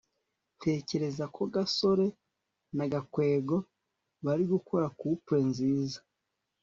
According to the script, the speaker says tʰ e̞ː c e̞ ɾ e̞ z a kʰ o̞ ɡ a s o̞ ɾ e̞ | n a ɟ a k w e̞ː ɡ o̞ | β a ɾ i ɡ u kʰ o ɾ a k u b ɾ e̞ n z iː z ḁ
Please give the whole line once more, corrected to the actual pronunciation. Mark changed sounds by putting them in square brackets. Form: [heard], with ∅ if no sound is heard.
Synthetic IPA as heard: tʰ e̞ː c e̞ ɾ e̞ z a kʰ o̞ ɡ a s o̞ ɾ e̞ | n a [ɡ] a k w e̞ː ɡ o̞ | β a ɾ i ɡ u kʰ o ɾ a k u [p] ɾ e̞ n z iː z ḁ